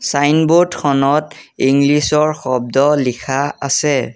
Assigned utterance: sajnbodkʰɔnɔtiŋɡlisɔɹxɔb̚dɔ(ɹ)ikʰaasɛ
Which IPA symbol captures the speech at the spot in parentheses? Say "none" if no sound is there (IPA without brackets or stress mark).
l